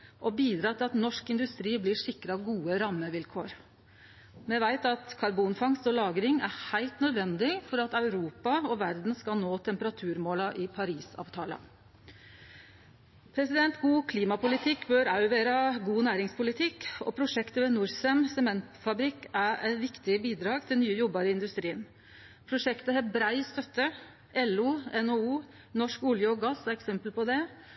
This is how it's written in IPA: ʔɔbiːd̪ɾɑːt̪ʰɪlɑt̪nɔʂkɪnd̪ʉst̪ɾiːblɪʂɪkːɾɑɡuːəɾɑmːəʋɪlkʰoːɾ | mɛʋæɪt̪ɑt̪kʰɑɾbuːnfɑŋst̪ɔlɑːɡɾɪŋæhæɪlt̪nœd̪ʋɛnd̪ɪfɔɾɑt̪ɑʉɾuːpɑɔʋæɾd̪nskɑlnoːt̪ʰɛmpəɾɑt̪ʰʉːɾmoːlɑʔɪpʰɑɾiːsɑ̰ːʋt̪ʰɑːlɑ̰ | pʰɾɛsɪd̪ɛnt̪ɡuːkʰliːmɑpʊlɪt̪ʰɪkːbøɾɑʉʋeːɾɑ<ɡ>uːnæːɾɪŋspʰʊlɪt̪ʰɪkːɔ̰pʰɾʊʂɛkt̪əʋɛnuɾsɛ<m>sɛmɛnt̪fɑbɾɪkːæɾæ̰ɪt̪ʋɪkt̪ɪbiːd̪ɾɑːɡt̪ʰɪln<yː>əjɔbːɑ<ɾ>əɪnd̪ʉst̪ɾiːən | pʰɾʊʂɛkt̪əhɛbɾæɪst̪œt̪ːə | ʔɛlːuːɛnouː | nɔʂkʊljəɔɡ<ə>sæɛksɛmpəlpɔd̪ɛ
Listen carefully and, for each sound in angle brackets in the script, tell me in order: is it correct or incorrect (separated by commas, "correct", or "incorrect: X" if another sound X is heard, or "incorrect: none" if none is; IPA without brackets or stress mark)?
correct, correct, correct, correct, incorrect: ɑ